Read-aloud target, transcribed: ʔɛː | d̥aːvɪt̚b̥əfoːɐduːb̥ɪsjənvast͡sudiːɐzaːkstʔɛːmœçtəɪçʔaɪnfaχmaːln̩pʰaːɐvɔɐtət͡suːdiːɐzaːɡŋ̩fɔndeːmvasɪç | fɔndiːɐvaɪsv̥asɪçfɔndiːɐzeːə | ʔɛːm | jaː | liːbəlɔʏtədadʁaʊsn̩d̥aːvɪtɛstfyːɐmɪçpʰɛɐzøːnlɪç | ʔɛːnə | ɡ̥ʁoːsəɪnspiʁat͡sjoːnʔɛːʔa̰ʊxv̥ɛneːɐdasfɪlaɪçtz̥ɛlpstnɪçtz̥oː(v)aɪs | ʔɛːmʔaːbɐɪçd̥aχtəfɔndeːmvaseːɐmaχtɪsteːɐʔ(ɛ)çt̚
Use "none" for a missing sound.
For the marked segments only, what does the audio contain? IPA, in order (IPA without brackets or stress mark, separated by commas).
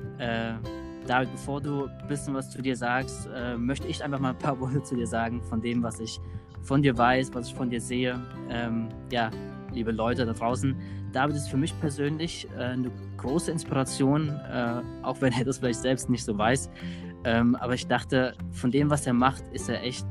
v, ɛ